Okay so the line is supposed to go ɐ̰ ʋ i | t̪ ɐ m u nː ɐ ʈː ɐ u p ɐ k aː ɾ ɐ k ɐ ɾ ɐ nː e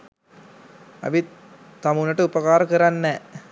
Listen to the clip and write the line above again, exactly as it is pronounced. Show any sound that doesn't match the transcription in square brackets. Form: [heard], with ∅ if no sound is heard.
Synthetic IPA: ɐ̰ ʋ i | t̪ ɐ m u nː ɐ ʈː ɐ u p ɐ k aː ɾ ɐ k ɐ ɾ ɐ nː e